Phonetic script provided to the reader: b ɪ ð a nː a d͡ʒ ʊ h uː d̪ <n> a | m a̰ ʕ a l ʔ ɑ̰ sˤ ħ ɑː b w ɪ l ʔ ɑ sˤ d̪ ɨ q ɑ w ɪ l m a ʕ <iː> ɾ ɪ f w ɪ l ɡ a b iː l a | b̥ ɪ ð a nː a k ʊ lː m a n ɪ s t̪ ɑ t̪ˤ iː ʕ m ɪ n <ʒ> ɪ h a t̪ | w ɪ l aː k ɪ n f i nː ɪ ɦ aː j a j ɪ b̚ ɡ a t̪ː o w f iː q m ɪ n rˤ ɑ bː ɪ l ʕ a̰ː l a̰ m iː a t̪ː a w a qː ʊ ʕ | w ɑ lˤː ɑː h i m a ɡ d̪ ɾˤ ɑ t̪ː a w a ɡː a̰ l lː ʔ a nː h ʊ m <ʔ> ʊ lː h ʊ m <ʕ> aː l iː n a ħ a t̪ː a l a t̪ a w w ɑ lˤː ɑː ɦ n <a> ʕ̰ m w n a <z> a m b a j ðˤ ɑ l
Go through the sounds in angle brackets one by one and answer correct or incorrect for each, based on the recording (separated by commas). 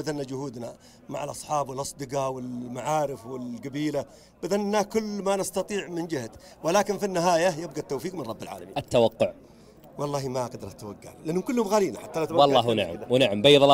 correct, incorrect, incorrect, incorrect, incorrect, correct, incorrect